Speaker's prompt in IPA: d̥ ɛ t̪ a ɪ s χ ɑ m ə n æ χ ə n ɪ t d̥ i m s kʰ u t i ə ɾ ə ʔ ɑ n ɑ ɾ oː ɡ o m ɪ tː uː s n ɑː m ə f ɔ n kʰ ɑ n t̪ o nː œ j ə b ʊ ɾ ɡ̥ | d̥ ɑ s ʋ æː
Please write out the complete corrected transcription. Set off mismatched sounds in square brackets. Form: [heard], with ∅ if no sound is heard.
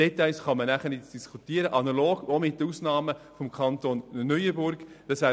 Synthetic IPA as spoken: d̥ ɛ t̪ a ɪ s χ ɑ m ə n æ χ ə n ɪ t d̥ i [∅] s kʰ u t i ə ɾ ə ʔ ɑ n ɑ [l] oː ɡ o m ɪ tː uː s n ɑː m ə f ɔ [m] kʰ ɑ n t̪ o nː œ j ə b ʊ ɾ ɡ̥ | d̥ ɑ s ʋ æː

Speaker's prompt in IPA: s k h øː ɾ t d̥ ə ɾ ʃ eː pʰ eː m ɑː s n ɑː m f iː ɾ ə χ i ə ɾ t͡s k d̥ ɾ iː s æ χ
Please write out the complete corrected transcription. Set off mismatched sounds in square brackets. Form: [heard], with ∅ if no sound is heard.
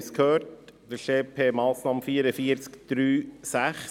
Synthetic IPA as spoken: s k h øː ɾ t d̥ ə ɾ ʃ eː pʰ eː m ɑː s n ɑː m f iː ɾ ə [f] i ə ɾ t͡s k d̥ ɾ [yː] s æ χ

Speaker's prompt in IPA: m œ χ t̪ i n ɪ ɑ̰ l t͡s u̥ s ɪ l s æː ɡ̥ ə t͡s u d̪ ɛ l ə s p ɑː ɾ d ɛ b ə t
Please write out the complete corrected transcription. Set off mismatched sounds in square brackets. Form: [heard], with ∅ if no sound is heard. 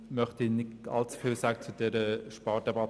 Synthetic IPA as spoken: m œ χ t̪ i n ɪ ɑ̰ l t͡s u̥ [f] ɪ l s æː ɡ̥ ə t͡s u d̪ ɛ [ɾ] ə [ʃ] p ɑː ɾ d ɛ b [ɑ] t

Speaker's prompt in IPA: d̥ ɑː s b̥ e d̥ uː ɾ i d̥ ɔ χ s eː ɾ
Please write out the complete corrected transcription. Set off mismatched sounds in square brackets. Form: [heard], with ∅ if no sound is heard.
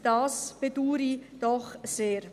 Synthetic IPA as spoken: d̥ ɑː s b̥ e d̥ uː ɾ i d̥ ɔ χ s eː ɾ

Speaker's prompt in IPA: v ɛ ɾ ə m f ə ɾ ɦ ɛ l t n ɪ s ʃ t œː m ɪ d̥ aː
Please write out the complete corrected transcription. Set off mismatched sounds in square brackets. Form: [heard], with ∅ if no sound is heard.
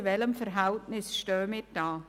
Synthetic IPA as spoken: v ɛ [l] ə m f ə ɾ ɦ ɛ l t n ɪ s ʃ t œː m ɪ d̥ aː

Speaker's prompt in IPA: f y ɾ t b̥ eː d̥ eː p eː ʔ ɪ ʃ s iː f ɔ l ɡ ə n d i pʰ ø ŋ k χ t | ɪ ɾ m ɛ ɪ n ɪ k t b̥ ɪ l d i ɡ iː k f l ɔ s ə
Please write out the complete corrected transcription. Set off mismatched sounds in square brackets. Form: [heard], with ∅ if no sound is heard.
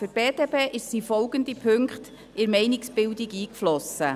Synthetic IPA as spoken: f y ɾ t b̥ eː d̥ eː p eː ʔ ɪ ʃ s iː f ɔ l ɡ ə n d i pʰ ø ŋ k χ t | ɪ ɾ m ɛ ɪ n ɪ k [s] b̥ ɪ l d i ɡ iː k f l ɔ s ə

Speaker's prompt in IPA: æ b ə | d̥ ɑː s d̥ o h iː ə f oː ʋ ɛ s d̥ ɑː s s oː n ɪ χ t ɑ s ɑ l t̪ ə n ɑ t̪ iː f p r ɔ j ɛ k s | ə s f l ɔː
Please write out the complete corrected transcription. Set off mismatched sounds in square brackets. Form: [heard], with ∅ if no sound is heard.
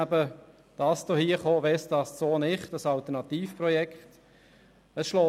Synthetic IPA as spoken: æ b ə | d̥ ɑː s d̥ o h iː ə [χ] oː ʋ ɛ s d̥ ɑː s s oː n ɪ χ t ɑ s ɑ l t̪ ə n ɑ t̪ iː f p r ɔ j ɛ k [t] | ə s [ʃ] l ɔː

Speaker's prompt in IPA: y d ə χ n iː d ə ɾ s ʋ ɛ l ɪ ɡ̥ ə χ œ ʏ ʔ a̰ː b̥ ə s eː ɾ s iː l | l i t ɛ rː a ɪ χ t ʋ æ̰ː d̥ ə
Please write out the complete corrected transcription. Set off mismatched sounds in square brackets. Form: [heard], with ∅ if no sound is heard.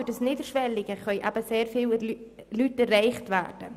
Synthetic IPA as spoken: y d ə [s] n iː d ə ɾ [ʃ] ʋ ɛ l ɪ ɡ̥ ə χ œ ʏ ʔ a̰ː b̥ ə s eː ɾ [f] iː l | l [y] t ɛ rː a ɪ χ t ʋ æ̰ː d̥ ə

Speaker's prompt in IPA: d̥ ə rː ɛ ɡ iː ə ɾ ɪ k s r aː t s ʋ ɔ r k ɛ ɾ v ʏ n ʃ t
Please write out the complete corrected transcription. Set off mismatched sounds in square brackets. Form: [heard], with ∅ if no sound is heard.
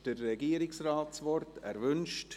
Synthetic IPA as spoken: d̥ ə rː ɛ ɡ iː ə ɾ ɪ k s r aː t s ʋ ɔ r [t] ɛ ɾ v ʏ n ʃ t

